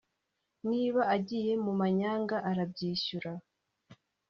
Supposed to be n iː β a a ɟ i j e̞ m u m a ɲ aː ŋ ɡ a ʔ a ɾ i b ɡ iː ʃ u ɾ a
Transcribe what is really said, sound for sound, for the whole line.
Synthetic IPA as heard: n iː β a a ɟ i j e̞ m u m a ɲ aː ŋ ɡ a ʔ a ɾ a b ɟ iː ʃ u ɾ a